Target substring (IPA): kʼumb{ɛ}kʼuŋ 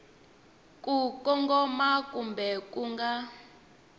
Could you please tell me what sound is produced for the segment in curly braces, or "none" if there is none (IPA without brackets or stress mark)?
ɛ